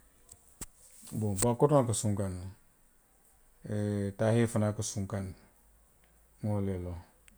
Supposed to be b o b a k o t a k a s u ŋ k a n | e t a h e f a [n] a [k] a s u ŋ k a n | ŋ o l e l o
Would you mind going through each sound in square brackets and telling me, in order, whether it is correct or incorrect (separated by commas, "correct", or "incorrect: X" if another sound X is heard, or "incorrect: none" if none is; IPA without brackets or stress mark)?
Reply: correct, correct